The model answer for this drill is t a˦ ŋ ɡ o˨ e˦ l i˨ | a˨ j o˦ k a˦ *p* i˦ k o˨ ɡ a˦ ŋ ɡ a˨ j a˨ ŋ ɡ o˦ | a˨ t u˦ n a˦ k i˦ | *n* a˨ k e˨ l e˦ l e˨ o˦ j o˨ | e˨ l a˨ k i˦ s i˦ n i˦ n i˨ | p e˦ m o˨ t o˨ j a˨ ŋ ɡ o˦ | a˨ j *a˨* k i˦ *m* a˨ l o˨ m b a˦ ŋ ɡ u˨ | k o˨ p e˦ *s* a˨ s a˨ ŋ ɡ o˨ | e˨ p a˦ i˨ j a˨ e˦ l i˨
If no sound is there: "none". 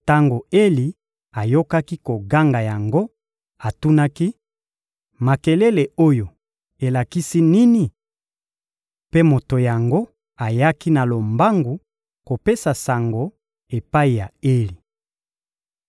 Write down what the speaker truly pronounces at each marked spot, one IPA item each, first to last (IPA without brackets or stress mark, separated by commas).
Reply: k, m, a˦, n, s